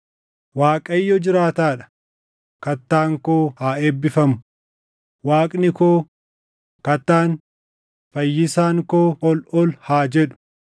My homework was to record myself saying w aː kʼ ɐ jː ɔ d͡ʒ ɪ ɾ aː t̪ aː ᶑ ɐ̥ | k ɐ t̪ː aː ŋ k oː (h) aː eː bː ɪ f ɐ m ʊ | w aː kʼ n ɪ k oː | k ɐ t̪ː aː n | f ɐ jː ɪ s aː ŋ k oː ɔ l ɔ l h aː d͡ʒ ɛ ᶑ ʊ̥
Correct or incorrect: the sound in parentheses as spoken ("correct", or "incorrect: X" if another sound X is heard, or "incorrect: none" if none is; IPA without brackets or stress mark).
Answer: correct